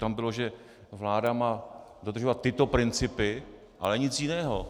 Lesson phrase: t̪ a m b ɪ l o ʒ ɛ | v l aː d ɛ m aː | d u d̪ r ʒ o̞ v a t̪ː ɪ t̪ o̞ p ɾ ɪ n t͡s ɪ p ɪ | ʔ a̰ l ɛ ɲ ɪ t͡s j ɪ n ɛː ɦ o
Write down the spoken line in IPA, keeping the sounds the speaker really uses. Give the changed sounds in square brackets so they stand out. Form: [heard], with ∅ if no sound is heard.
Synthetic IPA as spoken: t̪ a m b ɪ l o ʒ ɛ | v l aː d [a] m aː | d [o] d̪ r ʒ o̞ v a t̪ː ɪ t̪ o̞ p ɾ ɪ n t͡s ɪ p ɪ | ʔ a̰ l ɛ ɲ ɪ t͡s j ɪ n ɛː ɦ o

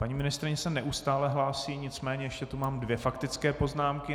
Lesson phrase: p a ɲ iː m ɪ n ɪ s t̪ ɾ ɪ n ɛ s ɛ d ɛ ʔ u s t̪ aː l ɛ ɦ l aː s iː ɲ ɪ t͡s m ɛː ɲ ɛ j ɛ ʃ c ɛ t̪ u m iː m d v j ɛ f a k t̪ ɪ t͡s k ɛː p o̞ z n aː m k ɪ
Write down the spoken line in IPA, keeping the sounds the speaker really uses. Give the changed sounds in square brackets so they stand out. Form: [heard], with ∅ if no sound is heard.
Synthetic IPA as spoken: p a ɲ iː m ɪ n ɪ s t̪ ɾ ɪ [ɲ] ɛ s ɛ [n] ɛ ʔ u s t̪ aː l ɛ ɦ l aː s iː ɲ ɪ t͡s m ɛː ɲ ɛ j ɛ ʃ c ɛ t̪ u m [aː] m d v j ɛ f a k t̪ ɪ t͡s k ɛː p o̞ z n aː m k ɪ

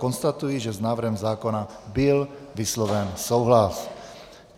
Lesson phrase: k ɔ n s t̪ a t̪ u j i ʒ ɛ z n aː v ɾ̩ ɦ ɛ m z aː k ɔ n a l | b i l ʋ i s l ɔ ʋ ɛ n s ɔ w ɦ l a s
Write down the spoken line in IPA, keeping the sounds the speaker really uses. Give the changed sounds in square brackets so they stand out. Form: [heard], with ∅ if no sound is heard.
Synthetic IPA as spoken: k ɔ n s t̪ a t̪ u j i ʒ ɛ z n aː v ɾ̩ ɦ ɛ m z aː k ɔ n a [∅] | b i l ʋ i s l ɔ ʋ ɛ n s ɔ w ɦ l a s

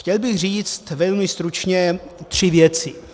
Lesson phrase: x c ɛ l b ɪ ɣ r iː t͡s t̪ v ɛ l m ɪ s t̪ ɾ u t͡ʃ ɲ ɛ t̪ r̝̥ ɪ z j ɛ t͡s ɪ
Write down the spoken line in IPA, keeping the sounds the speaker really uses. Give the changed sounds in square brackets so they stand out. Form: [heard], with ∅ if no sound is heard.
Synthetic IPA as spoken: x c ɛ l b ɪ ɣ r iː t͡s t̪ v ɛ l m ɪ s t̪ ɾ u t͡ʃ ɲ ɛ t̪ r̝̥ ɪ [v] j ɛ t͡s ɪ

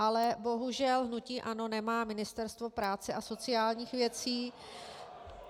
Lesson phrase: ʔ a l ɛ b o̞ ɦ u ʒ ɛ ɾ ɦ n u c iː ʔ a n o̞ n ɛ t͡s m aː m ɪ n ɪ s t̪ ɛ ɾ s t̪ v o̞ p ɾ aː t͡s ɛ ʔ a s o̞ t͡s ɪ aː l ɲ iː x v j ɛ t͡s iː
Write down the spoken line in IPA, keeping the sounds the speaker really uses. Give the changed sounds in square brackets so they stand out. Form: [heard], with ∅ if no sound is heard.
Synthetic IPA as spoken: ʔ a l ɛ b o̞ ɦ u ʒ ɛ [l] ɦ n u c iː ʔ a n o̞ n ɛ [∅] m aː m ɪ n ɪ s t̪ ɛ ɾ s t̪ v o̞ p ɾ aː t͡s ɛ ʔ a s o̞ t͡s ɪ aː l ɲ iː x v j ɛ t͡s iː

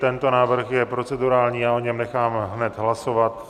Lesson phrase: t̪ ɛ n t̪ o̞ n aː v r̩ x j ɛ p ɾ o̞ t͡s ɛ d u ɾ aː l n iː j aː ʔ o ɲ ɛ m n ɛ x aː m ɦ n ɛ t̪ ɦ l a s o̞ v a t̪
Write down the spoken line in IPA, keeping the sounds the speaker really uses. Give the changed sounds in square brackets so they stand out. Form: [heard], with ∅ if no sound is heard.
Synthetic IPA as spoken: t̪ ɛ n t̪ o̞ n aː v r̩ x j ɛ p ɾ o̞ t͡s ɛ d u ɾ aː l [ɲ] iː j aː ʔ o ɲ ɛ m n ɛ x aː m ɦ n ɛ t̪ ɦ l a s o̞ v a t̪

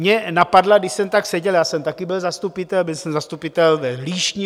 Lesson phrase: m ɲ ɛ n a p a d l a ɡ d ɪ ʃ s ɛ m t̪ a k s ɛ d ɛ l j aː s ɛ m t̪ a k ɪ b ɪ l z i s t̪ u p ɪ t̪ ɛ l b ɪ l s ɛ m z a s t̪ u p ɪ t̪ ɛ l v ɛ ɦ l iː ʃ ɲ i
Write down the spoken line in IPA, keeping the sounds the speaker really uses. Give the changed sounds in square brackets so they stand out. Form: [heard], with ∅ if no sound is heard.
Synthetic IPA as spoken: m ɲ ɛ n a p a d l a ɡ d ɪ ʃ s ɛ m t̪ a k s ɛ [ɟ] ɛ l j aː s ɛ m t̪ a k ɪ b ɪ l z [a] s t̪ u p ɪ t̪ ɛ l b ɪ l s ɛ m z a s t̪ u p ɪ t̪ ɛ l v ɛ ɦ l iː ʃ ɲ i

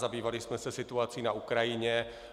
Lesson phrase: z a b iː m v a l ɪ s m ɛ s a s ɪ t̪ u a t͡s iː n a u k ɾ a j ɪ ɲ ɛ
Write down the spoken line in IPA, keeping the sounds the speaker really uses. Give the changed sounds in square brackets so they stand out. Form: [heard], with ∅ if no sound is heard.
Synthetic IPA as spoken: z a b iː [∅] v a l ɪ s m ɛ s [ɛ] s ɪ t̪ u a t͡s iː n a u k ɾ a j ɪ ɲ ɛ

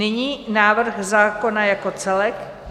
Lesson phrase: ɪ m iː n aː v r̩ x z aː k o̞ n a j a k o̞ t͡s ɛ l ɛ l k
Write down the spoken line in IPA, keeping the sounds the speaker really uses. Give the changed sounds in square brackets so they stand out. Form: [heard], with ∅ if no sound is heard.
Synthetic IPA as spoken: ɪ [ɲ] iː n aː v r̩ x z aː k o̞ n a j a k o̞ t͡s ɛ l ɛ [∅] k

